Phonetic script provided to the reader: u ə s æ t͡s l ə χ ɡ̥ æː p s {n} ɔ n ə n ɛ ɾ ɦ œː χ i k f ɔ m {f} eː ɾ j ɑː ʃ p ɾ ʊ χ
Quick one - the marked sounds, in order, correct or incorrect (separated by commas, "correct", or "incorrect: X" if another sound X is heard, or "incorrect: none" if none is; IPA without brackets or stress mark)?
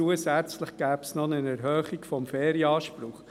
correct, correct